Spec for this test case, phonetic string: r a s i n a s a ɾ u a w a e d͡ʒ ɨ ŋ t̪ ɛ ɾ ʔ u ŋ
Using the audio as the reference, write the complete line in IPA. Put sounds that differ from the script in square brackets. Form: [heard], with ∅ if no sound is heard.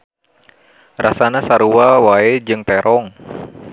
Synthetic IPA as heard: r a s [a] n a s a ɾ u a w a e d͡ʒ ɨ ŋ t̪ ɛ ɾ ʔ [ɔ] ŋ